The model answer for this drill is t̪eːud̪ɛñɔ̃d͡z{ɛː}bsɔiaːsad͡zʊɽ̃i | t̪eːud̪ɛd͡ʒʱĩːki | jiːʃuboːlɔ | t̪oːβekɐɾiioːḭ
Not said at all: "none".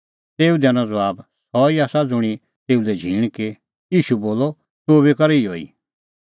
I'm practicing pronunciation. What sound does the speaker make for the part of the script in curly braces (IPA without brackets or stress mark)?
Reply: aː